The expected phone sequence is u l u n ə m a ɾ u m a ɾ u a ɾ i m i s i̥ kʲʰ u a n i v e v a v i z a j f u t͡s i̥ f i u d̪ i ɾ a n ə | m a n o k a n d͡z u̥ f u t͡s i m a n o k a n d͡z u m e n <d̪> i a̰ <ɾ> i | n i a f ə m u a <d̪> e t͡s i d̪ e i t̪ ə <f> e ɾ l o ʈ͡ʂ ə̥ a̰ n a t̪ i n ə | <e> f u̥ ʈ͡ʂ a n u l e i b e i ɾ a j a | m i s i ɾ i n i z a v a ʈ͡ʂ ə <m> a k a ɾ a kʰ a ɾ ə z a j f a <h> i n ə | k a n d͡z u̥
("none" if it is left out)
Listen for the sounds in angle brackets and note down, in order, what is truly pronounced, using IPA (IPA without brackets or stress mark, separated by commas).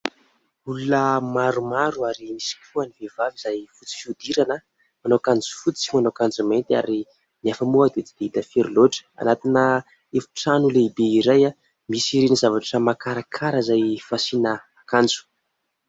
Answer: t̪, ɾ, d̪, f, e, m, s